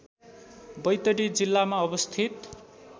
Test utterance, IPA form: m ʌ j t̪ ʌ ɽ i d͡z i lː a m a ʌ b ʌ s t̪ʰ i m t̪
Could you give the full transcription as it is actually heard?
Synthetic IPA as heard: b ʌ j t̪ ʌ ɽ i d͡z i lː a m a ʌ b ʌ s t̪ʰ i t̪